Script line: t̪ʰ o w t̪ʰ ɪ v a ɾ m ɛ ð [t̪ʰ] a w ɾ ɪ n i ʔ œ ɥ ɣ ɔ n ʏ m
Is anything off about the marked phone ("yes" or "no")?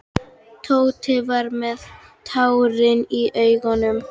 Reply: no